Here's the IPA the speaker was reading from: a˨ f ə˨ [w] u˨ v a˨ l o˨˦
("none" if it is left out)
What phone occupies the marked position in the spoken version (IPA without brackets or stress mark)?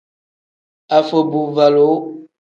b